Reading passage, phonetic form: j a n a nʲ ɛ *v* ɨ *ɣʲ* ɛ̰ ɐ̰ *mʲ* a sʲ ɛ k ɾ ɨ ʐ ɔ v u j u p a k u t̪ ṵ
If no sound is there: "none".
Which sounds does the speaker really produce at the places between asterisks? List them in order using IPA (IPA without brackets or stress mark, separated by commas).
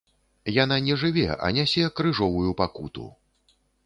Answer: ʐ, vʲ, nʲ